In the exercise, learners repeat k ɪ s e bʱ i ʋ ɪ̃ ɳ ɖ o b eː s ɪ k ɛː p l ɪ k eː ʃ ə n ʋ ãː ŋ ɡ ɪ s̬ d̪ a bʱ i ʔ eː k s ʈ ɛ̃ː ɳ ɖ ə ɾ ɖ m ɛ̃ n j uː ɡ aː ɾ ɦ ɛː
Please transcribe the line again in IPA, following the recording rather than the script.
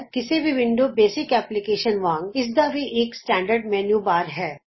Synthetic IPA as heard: k ɪ s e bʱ i ʋ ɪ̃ ɳ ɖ o b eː s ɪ k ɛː p l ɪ k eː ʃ ə n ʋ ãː ŋ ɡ ɪ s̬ d̪ a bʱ i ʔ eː k s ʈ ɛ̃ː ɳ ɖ ə ɾ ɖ m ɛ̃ n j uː b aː ɾ ɦ ɛː